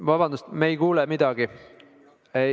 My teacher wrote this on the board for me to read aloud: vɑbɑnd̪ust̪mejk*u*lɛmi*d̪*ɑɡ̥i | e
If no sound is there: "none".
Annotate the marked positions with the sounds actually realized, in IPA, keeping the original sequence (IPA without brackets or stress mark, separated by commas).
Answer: uː, d̪